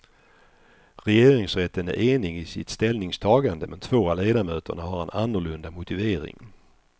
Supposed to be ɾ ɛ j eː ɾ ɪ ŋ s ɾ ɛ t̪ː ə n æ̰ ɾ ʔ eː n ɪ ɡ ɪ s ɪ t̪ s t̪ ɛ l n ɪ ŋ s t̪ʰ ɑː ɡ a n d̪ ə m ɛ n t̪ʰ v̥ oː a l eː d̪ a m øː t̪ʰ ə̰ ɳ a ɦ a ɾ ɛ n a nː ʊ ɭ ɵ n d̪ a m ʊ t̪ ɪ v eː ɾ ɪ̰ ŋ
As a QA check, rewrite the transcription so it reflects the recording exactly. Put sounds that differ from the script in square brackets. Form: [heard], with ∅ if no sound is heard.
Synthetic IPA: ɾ ɛ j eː ɾ ɪ ŋ s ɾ ɛ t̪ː ə n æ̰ ɾ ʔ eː n ɪ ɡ ɪ s ɪ t̪ s t̪ ɛ l n ɪ ŋ s t̪ʰ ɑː ɡ a n d̪ ə m ɛ n t̪ʰ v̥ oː a l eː d̪ a m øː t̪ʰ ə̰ ɳ a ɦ a ɾ ɛ n a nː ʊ ɭ ɵ n d̪ a m ʊ t̪ ɪ v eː ɾ ɪ̰ ŋ